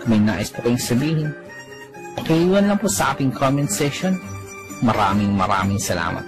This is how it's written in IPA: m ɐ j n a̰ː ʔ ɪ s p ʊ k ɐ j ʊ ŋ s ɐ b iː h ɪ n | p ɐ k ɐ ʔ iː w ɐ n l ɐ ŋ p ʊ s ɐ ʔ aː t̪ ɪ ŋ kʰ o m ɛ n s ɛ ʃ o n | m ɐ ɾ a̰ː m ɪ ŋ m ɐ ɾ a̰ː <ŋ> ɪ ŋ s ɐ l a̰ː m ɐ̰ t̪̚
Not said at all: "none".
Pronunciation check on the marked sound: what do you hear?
m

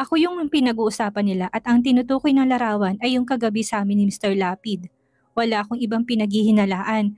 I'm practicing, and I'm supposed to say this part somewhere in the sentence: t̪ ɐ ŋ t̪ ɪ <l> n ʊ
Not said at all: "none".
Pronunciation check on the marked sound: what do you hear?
none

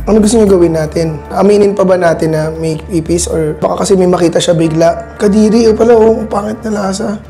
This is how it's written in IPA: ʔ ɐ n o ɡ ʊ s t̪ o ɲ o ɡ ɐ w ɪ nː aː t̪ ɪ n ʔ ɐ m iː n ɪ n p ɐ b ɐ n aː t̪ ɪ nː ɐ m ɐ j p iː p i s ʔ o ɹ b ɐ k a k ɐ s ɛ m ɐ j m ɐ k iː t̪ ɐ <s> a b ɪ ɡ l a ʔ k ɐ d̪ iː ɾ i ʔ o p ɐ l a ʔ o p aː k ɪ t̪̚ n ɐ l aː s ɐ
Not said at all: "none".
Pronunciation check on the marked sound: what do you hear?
ʃ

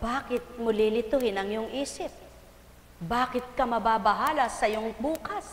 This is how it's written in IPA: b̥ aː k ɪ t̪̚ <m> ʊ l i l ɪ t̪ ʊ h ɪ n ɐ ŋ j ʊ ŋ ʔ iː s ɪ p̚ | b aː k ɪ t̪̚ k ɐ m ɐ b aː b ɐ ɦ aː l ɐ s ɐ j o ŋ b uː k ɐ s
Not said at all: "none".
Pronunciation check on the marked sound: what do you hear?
m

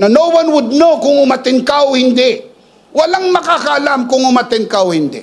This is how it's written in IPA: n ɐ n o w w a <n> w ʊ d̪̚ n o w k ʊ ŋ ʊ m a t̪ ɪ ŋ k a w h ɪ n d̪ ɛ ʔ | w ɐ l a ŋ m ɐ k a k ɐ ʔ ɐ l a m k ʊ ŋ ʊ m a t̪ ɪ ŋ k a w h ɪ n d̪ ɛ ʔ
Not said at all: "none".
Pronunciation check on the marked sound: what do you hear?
n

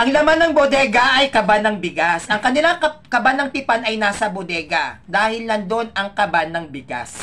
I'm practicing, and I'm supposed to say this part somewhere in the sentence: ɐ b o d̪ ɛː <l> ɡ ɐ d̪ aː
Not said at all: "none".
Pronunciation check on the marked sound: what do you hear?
none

